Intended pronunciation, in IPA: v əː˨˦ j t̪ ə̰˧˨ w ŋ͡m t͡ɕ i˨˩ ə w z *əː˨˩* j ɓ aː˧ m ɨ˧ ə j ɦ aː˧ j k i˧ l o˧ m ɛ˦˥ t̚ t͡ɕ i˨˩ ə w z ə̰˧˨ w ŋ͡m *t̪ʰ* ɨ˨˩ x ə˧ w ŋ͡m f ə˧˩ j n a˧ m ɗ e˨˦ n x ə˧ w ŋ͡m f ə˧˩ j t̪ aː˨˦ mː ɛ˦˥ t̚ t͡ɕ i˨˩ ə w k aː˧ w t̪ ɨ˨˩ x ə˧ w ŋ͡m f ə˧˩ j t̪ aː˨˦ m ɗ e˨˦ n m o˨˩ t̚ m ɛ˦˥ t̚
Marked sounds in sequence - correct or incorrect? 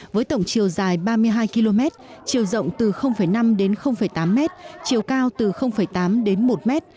incorrect: aː˨˩, incorrect: t̪

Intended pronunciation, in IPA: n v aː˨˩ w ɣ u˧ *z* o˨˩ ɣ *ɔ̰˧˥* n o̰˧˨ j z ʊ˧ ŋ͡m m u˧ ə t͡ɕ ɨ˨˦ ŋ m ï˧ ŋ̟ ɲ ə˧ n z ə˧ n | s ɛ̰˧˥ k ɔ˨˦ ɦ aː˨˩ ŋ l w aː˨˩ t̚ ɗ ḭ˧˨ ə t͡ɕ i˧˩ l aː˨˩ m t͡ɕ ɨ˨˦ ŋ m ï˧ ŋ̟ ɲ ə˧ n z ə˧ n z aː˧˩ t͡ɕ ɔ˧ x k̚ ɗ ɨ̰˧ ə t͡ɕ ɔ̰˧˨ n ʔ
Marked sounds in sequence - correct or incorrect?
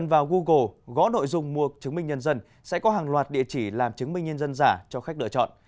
incorrect: ɣ, correct

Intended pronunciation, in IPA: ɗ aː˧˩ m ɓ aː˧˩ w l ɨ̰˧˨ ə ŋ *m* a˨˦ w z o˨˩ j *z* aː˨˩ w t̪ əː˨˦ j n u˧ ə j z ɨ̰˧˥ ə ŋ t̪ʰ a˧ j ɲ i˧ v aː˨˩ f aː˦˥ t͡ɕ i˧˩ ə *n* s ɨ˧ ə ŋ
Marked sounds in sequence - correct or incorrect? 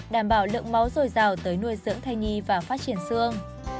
correct, correct, correct

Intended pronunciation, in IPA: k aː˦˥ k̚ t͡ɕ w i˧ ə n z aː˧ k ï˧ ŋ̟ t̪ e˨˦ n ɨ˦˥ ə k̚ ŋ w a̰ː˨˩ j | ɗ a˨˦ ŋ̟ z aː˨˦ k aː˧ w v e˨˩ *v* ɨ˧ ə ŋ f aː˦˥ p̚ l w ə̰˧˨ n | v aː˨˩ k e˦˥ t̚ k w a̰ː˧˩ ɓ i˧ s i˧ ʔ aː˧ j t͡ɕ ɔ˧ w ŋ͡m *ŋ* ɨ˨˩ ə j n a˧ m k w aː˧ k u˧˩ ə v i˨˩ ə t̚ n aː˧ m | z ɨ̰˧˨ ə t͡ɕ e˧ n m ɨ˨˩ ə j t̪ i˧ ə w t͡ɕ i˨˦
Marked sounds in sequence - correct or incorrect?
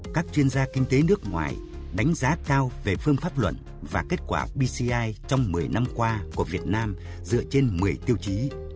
incorrect: f, incorrect: m

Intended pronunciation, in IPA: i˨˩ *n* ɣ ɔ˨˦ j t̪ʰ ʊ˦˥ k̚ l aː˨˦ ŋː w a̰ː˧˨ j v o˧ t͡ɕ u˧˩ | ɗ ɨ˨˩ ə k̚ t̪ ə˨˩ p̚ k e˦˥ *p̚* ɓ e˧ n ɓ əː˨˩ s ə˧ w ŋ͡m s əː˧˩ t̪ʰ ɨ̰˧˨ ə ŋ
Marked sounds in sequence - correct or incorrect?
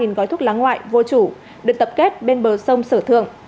correct, incorrect: t̚

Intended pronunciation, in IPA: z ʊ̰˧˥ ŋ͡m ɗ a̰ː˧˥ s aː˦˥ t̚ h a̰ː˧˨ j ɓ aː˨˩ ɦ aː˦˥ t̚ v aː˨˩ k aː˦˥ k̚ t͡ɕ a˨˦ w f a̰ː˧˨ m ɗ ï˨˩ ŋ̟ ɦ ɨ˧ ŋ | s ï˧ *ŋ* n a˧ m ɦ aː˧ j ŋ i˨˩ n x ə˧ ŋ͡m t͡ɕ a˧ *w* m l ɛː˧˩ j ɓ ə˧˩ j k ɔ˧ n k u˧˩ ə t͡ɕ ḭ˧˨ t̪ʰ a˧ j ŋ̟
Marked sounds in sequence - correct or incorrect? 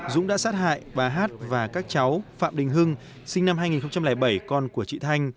correct, incorrect: none

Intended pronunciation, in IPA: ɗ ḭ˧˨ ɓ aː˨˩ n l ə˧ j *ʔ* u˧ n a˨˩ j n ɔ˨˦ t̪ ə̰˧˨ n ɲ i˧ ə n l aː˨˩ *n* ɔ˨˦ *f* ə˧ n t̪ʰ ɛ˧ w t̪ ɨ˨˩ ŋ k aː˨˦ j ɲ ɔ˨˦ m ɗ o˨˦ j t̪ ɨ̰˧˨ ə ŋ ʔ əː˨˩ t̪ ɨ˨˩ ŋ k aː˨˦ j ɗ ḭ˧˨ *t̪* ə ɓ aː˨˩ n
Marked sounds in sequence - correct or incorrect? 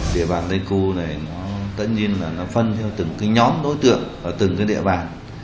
incorrect: k, correct, correct, incorrect: none

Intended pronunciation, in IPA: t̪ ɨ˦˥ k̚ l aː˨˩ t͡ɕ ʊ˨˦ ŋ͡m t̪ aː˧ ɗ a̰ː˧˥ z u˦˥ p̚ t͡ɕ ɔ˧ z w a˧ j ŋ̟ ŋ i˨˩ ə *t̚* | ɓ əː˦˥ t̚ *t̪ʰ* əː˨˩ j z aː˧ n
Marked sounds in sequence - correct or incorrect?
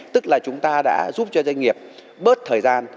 incorrect: p̚, correct

